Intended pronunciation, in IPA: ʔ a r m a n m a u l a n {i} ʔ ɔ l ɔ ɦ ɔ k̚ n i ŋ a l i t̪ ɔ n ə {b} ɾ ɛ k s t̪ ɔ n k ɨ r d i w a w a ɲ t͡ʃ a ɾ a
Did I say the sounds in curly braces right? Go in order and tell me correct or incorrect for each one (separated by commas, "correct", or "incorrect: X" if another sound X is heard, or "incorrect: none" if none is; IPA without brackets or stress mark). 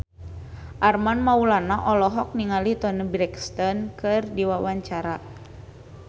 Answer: incorrect: a, correct